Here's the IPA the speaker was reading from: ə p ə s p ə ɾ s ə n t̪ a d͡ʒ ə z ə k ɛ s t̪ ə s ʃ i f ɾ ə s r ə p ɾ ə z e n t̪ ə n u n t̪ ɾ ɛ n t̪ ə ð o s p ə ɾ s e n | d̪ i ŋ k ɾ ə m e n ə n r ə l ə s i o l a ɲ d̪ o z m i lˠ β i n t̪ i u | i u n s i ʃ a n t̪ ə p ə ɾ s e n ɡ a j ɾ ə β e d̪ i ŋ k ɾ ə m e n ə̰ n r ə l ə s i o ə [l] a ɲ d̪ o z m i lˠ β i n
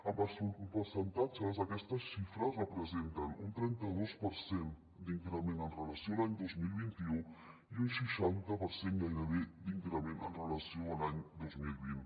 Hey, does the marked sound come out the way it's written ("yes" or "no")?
yes